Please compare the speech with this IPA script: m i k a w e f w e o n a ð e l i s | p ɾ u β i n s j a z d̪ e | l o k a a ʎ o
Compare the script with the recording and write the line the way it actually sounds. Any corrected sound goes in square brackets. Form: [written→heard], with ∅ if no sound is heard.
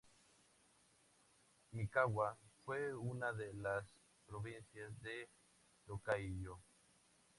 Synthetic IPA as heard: m i k a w [e→a] f w e [o→u] n a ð e l [i→a] s | p ɾ [u→o] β i n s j a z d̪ e | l o k a [a→i] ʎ o